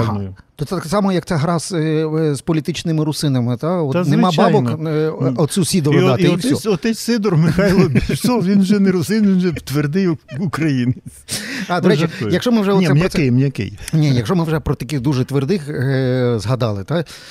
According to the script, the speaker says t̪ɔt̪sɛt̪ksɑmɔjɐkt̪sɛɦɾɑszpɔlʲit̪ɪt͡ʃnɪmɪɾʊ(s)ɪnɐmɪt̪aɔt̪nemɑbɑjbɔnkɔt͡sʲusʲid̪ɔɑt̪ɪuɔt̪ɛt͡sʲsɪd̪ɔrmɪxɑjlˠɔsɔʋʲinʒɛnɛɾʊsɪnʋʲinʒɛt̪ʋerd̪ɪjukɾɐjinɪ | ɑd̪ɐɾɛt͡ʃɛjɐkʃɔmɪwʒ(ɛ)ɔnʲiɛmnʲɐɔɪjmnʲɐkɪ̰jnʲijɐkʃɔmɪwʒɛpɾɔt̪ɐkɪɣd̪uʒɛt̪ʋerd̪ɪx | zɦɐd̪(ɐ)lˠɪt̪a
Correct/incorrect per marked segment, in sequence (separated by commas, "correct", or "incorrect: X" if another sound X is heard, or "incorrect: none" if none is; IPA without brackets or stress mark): correct, correct, incorrect: ɑ